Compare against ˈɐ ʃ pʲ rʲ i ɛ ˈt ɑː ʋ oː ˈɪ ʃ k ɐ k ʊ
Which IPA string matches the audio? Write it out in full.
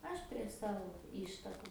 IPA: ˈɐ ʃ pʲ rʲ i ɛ ˈs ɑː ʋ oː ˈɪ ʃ t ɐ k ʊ